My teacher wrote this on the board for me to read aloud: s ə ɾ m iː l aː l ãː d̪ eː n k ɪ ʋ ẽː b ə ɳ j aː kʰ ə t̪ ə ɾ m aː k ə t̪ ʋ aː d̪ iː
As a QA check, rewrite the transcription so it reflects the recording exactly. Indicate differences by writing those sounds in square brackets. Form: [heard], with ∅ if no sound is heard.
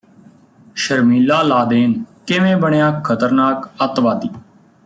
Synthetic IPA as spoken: [ʃ] ə ɾ m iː l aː l [aː] d̪ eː n k ɪ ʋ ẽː b ə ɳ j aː kʰ ə t̪ ə ɾ [n] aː k ə t̪ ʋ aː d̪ iː

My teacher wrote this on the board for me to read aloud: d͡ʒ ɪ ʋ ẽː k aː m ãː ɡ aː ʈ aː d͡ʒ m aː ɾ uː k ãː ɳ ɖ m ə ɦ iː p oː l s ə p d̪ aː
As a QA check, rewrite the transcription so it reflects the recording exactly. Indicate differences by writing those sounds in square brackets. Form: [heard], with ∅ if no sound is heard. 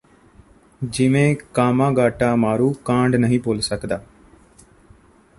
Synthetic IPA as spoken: d͡ʒ ɪ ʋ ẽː k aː m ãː ɡ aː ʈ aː [∅] m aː ɾ uː k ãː ɳ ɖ [n] ə ɦ [ĩː] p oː l s ə [k] d̪ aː

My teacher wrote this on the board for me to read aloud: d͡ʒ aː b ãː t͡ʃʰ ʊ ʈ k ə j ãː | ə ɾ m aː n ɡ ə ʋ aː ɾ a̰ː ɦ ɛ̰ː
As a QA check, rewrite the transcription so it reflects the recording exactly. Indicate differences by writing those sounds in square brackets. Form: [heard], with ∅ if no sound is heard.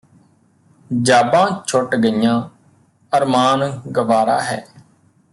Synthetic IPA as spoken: d͡ʒ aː b ãː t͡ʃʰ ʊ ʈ [ɡ] ə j ãː | ə ɾ m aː n ɡ ə ʋ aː ɾ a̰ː ɦ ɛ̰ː

